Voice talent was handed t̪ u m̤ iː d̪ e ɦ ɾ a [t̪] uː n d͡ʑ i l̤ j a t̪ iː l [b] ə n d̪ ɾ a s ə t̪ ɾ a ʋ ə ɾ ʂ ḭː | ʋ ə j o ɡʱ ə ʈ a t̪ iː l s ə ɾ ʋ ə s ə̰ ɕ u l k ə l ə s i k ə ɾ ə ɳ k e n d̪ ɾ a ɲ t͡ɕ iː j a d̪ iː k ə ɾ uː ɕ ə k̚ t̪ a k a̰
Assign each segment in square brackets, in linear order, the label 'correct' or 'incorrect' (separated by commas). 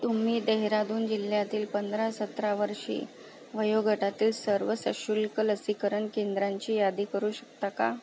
incorrect, incorrect